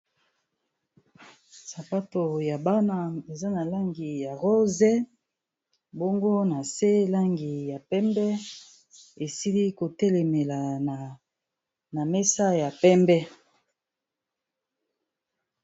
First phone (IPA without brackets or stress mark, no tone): s